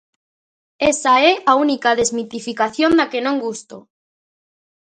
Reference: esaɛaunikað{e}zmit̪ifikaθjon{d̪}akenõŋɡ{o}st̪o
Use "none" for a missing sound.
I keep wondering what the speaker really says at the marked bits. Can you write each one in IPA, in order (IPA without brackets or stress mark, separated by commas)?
e, d̪, u